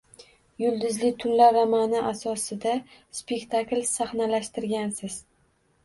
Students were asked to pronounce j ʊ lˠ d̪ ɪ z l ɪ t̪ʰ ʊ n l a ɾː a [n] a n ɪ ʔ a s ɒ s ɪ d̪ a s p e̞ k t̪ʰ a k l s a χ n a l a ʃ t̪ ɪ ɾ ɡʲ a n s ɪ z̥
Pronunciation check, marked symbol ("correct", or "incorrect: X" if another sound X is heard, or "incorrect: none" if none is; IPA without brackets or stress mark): incorrect: m